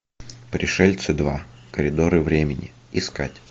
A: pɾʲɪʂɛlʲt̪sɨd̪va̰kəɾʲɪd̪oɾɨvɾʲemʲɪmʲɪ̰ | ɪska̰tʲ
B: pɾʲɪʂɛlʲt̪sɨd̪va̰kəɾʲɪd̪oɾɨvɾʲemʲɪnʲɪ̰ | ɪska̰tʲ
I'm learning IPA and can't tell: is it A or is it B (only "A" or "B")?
B